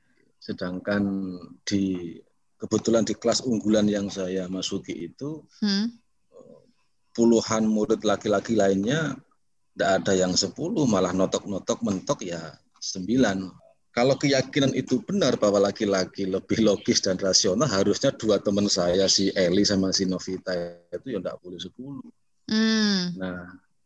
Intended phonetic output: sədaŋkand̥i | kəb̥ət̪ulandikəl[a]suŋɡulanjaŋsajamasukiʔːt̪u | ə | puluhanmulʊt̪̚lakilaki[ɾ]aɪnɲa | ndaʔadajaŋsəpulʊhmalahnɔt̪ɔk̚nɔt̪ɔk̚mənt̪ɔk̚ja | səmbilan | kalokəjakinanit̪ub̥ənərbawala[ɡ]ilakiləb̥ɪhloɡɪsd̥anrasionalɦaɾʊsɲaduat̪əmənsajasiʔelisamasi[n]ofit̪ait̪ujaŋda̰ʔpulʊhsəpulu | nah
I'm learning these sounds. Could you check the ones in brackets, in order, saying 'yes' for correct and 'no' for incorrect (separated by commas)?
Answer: yes, no, no, yes